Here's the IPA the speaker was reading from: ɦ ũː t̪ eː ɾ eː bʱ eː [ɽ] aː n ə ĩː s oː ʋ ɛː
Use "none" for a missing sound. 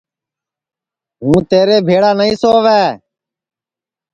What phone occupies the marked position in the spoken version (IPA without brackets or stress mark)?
ɽ